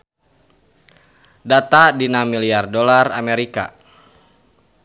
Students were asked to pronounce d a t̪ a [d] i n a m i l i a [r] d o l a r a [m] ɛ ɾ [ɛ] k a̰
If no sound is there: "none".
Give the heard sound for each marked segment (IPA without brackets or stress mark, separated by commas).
d, r, m, i